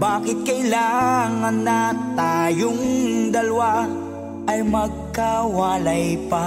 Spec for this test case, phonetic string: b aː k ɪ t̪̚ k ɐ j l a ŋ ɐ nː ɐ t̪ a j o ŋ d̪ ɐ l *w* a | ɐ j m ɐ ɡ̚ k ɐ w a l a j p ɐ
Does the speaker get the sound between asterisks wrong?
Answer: no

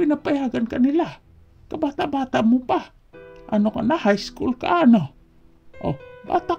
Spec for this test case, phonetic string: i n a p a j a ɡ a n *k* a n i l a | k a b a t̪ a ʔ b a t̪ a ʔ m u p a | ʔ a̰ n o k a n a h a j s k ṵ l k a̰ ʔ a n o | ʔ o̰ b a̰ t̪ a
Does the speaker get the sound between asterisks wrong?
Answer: no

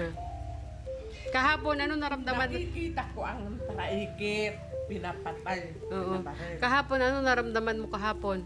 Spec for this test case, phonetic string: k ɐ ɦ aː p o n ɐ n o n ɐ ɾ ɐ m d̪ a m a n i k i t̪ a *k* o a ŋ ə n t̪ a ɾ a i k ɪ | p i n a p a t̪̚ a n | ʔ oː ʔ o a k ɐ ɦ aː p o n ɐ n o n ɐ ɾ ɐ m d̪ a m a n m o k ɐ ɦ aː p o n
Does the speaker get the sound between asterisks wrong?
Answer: no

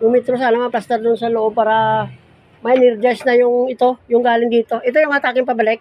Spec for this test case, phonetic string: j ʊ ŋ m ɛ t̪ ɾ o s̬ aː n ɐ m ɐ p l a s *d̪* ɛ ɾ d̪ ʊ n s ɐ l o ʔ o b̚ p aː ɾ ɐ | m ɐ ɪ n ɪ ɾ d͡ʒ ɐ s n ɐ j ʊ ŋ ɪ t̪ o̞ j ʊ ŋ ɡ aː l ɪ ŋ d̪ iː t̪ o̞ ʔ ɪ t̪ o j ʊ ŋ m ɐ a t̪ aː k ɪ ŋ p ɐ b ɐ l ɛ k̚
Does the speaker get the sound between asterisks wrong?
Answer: yes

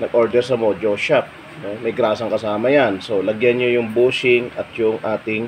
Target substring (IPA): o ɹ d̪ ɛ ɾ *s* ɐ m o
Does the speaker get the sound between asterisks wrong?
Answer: no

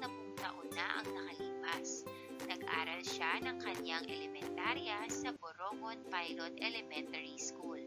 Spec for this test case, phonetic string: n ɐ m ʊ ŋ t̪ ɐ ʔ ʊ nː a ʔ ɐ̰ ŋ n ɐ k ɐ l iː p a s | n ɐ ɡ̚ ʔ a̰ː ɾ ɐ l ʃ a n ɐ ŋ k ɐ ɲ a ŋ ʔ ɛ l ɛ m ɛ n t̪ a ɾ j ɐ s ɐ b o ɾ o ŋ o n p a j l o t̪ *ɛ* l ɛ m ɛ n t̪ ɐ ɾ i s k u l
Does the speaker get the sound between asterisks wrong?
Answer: no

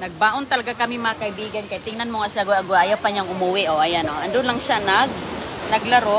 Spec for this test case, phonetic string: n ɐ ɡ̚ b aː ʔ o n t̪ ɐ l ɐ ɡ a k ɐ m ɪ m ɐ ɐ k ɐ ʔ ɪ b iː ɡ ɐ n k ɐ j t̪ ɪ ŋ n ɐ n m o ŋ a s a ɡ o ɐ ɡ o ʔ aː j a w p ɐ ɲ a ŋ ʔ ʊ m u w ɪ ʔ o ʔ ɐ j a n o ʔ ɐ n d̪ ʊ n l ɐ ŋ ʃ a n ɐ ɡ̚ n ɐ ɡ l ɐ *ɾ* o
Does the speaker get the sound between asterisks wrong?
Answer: no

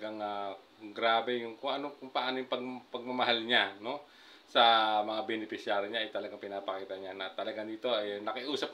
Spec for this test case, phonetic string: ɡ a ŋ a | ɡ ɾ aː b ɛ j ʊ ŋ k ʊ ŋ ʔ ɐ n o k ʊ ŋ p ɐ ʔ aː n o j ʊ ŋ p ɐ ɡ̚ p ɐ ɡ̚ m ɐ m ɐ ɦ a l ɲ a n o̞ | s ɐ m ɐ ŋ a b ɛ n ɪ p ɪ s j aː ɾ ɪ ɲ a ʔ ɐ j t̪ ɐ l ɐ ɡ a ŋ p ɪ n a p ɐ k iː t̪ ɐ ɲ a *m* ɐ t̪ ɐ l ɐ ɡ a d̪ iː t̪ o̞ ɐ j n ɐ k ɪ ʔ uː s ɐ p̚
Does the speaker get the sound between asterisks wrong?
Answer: yes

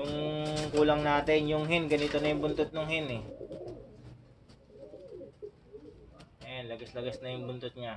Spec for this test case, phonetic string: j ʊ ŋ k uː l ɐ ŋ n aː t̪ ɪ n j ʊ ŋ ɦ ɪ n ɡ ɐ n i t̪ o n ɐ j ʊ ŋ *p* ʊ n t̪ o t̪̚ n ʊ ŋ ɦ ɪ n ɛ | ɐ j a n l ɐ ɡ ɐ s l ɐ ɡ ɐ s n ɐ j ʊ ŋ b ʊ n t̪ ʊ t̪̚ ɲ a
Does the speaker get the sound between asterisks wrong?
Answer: yes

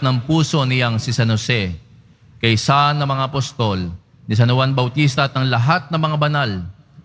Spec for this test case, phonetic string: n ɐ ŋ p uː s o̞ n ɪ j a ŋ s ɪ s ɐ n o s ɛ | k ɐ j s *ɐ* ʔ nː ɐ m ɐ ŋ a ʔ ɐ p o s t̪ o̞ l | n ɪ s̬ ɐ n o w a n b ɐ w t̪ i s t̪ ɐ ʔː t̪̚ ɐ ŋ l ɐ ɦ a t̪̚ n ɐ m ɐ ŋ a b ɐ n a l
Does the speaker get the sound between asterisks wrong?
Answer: yes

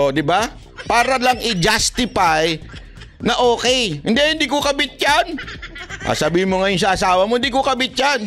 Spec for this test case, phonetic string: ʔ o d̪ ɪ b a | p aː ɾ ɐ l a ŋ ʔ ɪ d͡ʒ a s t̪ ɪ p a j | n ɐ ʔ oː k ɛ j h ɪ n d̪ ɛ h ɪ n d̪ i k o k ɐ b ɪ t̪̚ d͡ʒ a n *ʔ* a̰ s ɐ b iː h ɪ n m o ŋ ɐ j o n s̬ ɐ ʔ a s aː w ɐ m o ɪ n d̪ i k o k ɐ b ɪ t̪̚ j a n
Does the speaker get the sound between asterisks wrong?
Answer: no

